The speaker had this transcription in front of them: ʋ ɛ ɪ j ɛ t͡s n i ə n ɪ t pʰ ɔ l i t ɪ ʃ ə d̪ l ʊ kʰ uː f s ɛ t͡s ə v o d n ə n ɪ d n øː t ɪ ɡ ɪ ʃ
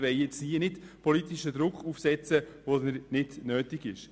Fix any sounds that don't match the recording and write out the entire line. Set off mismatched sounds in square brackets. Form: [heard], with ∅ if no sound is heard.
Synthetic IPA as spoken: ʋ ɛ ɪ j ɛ t͡s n i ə n ɪ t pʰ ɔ l i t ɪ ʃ ə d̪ [ɾ] ʊ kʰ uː f s ɛ t͡s ə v o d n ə n ɪ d n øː t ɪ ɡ ɪ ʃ